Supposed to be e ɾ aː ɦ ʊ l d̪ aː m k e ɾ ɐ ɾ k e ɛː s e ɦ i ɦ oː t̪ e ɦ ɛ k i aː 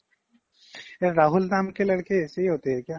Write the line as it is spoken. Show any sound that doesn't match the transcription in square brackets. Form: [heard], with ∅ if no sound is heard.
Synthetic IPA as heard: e ɾ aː ɦ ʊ l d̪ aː m k e [l] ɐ [ɽ] k e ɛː s e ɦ i ɦ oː t̪ e ɦ ɛ k [j] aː